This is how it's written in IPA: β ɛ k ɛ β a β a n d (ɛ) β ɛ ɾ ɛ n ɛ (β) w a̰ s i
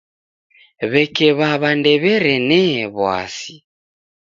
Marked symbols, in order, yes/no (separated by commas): yes, yes